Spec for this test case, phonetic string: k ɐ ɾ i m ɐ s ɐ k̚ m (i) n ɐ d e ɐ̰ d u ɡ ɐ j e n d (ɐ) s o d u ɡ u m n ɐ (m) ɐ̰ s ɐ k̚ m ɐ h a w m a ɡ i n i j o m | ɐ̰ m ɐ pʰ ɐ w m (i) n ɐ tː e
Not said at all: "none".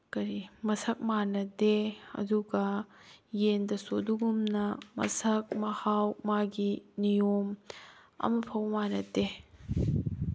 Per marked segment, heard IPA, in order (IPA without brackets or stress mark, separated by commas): a, ɐ, m, a